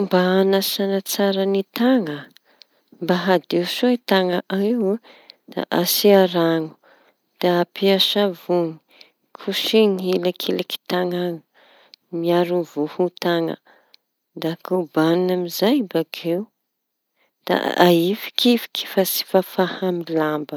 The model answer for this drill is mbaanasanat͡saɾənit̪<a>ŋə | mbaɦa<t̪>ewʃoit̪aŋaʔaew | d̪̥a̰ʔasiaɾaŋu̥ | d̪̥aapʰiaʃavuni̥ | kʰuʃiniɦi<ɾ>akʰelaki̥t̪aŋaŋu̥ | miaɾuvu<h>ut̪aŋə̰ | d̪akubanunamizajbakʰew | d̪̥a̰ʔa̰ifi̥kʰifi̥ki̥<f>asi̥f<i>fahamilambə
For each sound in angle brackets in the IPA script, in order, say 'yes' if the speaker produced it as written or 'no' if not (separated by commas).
yes, no, no, yes, yes, no